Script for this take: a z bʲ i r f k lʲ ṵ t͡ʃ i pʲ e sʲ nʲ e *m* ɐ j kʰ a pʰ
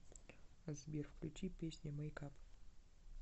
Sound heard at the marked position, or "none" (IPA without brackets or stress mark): m